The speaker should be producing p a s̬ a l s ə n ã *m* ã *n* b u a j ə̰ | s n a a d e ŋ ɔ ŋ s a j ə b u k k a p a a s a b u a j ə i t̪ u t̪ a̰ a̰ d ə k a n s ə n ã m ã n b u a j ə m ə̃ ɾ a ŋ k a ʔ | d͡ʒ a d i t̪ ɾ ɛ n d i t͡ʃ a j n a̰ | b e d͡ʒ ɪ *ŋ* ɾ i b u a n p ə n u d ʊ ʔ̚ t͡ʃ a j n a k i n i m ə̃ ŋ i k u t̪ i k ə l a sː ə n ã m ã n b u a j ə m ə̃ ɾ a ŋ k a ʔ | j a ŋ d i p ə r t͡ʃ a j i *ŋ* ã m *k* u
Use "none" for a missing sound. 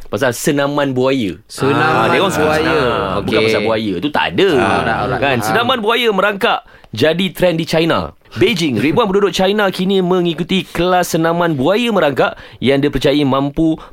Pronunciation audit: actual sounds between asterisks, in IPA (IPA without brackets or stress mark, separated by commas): m, n, ŋ, m, p